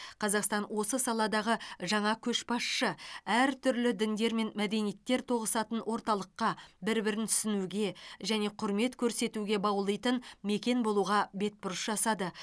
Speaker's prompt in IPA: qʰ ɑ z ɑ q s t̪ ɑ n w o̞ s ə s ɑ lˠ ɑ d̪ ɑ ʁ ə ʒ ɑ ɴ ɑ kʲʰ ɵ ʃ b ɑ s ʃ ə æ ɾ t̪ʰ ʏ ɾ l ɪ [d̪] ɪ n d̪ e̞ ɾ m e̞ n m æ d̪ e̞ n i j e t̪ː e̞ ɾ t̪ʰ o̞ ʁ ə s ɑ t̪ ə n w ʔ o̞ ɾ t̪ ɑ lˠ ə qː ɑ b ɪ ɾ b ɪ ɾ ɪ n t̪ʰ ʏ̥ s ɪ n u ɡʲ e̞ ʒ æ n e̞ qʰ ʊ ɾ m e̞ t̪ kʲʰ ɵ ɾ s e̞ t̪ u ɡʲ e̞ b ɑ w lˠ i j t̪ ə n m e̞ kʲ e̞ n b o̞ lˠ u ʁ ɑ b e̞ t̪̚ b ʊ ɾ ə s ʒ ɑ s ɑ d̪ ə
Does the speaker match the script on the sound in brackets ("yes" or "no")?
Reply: yes